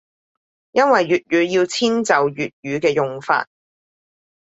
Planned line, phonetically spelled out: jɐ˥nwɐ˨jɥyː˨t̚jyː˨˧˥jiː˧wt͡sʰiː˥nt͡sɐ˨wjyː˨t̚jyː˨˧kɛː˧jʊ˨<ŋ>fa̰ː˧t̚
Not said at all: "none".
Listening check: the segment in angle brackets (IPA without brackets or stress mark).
ŋ